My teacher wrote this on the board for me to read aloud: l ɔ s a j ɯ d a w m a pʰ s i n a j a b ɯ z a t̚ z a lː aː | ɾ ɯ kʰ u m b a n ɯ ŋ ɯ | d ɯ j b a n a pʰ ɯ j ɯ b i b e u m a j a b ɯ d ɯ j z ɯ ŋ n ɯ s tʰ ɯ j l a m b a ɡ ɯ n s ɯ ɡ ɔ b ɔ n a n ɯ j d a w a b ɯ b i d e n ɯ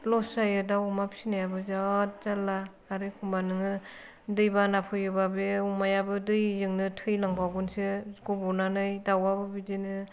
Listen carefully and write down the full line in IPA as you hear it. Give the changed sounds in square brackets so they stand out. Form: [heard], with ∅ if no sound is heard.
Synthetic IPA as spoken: l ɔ s a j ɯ d a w m a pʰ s i n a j a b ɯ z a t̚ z a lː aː | ɾ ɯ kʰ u m b a n ɯ ŋ ɯ | d ɯ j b a n a pʰ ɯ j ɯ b [a] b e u m a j a b ɯ d ɯ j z ɯ ŋ n ɯ [∅] tʰ ɯ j l a [ŋ] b a ɡ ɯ n s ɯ ɡ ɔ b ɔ n a n ɯ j d a w a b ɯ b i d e n ɯ